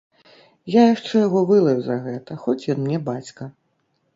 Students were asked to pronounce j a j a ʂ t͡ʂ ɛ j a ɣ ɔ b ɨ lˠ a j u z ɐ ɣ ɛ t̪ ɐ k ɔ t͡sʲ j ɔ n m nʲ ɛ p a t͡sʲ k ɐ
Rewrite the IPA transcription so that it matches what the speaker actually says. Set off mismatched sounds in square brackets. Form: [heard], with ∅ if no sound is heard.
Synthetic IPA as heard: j a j a ʂ t͡ʂ ɛ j a ɣ ɔ [v] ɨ lˠ [ɐ] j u z ɐ ɣ ɛ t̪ ɐ [x] ɔ t͡sʲ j ɔ n m nʲ ɛ [b] a t͡sʲ k ɐ